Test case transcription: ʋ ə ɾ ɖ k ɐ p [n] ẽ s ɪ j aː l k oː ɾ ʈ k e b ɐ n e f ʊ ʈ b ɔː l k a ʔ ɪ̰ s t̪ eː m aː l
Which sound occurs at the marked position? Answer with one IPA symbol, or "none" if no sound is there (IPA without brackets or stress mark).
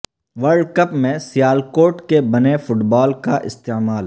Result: m